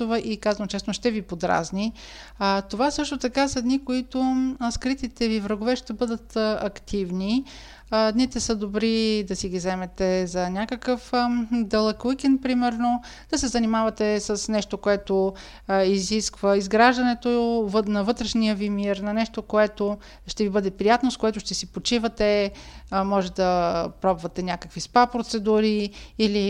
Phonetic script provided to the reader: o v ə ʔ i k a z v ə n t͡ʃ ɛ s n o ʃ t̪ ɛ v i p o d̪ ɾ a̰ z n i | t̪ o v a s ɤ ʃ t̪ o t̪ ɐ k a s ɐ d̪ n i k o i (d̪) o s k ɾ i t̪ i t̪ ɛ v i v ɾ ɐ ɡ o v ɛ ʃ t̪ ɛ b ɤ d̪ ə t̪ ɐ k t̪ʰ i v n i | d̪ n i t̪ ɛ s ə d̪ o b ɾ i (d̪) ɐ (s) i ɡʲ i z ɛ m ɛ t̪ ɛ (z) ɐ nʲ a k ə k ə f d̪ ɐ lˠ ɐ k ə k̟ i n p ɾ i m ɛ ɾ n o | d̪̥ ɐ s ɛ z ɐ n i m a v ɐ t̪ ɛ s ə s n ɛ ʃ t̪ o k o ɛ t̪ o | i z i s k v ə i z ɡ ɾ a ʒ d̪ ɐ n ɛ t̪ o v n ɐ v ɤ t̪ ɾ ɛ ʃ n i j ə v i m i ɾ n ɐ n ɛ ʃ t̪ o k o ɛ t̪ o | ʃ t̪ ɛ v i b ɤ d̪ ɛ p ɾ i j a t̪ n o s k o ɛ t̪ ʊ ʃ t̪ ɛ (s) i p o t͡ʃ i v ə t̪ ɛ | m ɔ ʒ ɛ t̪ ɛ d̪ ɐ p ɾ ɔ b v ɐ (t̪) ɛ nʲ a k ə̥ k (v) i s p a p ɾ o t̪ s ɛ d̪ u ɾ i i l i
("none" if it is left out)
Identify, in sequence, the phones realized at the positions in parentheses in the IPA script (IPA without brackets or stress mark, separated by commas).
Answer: t̪, d̪, s, z, s, t̪, v